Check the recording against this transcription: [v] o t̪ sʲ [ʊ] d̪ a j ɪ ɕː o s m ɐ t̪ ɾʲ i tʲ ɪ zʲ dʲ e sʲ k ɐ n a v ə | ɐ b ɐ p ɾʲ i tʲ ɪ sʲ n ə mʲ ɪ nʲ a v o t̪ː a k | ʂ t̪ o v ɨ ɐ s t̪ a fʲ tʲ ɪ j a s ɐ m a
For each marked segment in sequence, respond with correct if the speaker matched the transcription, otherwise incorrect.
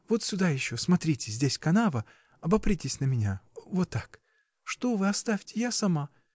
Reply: correct, correct

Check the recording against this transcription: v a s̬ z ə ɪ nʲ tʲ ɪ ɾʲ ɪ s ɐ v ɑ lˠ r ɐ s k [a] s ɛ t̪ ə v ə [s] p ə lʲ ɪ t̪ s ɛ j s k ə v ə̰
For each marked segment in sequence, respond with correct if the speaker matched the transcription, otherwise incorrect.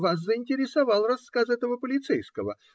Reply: correct, incorrect

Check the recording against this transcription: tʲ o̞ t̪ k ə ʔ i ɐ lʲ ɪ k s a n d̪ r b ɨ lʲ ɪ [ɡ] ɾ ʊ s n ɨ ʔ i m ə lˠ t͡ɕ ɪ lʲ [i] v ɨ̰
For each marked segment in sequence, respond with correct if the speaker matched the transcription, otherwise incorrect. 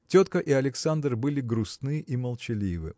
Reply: correct, correct

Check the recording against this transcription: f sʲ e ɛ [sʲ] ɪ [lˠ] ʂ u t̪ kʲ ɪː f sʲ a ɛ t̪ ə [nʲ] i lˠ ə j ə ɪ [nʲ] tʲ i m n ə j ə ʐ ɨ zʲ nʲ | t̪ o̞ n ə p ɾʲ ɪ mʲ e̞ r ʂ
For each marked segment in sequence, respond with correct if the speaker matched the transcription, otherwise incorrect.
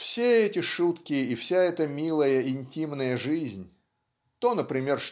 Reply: incorrect, incorrect, incorrect, correct

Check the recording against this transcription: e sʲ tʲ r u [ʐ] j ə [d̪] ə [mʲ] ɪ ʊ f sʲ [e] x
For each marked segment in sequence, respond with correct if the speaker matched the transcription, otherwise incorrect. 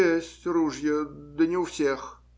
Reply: correct, correct, incorrect, correct

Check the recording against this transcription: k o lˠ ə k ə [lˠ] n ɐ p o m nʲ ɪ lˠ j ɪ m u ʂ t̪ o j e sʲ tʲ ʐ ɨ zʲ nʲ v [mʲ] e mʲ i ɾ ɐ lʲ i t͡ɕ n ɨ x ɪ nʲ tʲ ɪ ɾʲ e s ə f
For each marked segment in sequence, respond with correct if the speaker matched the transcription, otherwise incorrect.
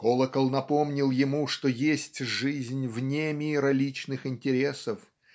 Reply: correct, incorrect

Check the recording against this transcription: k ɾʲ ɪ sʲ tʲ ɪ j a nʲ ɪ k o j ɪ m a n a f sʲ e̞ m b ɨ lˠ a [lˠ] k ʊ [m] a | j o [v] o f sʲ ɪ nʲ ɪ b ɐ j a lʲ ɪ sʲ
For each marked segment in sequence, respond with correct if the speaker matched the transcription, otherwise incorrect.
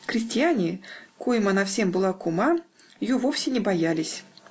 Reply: incorrect, correct, correct

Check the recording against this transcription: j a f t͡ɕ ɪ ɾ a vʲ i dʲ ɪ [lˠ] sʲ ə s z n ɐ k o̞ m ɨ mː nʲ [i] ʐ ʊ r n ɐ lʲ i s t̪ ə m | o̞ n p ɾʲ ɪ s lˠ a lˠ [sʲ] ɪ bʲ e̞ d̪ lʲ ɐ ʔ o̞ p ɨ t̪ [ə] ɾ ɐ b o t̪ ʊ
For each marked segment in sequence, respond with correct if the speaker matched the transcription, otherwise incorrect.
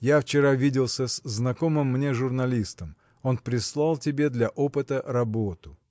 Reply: correct, incorrect, incorrect, correct

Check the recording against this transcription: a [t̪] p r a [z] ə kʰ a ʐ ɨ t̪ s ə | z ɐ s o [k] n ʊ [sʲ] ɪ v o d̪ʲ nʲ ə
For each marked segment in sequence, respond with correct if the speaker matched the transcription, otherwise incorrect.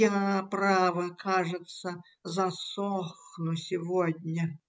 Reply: incorrect, incorrect, incorrect, correct

